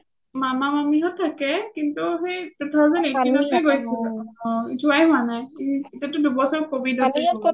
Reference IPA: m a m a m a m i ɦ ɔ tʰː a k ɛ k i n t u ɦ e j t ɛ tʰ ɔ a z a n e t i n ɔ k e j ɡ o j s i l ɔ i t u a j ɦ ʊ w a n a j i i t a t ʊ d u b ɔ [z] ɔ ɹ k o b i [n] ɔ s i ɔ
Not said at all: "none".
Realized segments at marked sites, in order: s, d

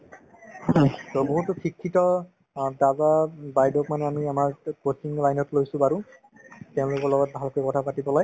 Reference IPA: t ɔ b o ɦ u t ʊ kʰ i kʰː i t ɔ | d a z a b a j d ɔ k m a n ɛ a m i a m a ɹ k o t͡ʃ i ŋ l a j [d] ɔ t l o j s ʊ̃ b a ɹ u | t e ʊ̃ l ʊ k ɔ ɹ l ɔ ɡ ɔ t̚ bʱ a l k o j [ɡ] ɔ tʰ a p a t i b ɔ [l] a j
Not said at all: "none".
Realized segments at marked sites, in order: n, k, l

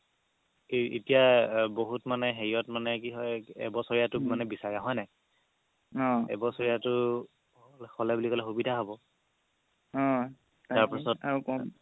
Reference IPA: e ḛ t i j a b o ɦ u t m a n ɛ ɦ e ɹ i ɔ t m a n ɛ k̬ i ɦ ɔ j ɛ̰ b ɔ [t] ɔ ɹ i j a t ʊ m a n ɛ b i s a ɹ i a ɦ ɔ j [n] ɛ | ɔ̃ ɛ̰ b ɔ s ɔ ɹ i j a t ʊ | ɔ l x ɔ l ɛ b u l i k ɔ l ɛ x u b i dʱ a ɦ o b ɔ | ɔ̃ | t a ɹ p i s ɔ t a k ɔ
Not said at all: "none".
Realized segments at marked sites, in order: s, n

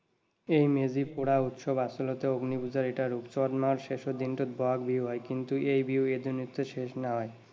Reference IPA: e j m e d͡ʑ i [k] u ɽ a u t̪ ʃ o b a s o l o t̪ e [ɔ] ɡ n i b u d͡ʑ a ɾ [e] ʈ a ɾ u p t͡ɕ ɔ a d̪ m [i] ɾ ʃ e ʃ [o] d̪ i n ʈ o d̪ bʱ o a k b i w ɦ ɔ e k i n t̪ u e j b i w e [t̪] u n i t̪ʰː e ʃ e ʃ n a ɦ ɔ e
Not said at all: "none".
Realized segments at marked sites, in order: p, o, e, a, o, d̪

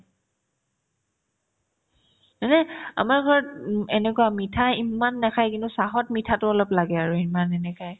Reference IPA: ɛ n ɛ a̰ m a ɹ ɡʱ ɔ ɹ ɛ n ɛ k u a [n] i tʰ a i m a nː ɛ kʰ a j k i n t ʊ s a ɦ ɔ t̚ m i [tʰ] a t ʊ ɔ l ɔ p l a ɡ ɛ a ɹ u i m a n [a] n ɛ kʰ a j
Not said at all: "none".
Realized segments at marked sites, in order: m, tʰ, ɛ

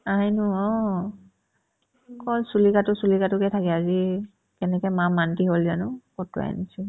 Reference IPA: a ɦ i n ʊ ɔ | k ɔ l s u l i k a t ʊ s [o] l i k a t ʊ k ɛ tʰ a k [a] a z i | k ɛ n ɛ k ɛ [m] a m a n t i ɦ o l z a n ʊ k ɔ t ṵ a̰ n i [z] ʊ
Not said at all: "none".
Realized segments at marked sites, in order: u, ɛ, m, s

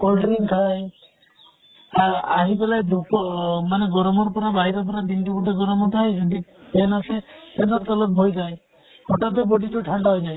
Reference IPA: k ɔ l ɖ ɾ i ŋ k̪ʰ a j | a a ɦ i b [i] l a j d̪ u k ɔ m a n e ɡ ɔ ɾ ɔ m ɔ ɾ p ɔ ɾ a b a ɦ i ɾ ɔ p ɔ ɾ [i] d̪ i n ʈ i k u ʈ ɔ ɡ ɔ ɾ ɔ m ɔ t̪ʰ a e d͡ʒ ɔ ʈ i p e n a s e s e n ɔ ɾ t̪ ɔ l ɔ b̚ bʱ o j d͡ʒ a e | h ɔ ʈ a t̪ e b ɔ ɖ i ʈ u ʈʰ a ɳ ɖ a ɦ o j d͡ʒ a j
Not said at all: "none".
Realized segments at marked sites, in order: e, a

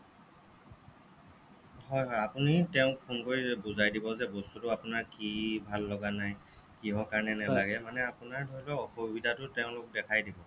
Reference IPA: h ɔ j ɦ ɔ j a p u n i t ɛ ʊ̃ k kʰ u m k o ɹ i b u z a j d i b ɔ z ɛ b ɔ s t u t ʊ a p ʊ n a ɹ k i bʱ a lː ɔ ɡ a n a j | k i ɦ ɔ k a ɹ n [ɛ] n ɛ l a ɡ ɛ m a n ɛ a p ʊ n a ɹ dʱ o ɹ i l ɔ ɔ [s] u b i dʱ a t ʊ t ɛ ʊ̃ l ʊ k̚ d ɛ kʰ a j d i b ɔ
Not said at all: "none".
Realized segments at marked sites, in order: ɛ, x

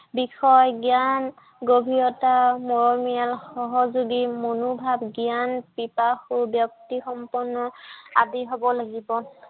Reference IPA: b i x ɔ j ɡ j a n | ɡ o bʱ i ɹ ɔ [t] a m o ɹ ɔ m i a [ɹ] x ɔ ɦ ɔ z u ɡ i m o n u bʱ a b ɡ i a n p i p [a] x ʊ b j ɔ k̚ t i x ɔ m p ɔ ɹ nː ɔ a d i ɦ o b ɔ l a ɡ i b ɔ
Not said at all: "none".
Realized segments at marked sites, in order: t, l, a

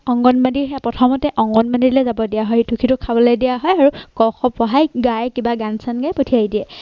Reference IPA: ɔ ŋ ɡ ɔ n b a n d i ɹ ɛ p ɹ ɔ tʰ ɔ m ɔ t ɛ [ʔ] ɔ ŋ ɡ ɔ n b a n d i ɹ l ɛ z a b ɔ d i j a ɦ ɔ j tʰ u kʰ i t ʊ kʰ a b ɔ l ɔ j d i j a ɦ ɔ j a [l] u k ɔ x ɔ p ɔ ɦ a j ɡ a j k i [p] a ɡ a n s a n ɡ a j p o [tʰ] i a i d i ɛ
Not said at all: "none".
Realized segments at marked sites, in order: ʔ, ɹ, b, tʰ

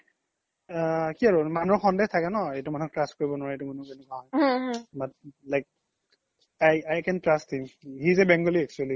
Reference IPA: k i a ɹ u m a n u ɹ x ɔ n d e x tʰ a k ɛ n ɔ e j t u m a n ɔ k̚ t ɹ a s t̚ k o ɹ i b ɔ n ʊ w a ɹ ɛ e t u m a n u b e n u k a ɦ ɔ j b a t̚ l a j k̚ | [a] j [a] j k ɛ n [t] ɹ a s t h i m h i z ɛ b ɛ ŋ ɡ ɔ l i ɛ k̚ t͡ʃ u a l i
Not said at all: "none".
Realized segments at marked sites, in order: a, a, t

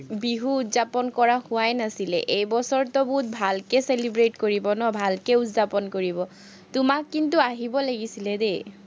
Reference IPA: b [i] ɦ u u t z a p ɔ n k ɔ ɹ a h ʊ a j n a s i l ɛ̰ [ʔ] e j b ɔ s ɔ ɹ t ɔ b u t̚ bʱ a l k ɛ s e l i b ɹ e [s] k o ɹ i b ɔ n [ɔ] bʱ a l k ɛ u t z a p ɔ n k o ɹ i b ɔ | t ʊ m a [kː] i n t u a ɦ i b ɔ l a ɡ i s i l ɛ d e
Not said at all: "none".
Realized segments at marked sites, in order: i, ʔ, t, ɔ, kː

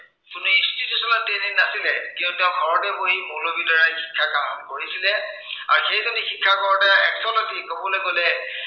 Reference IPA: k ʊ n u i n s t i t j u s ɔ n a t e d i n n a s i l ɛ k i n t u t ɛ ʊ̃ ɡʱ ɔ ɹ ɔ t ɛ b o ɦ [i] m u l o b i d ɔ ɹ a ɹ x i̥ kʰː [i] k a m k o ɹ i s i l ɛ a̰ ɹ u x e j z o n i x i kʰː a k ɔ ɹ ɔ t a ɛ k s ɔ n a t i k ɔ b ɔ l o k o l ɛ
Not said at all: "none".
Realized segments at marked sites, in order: i, a

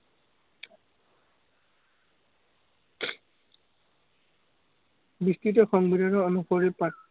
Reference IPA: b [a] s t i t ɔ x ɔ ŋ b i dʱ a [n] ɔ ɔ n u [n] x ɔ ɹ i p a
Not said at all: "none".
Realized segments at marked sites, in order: i, n, none

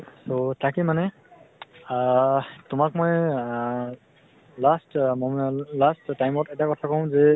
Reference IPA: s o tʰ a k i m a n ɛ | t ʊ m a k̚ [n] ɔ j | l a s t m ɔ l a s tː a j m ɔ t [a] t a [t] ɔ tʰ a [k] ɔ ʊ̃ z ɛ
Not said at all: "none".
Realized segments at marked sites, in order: m, ɛ, k, k

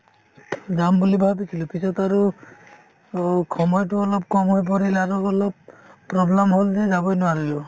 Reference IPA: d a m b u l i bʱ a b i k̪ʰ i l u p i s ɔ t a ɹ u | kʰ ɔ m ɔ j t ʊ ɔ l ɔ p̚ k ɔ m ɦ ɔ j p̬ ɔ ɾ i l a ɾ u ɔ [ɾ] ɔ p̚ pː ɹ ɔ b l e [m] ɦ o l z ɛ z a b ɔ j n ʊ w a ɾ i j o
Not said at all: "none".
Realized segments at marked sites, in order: l, m

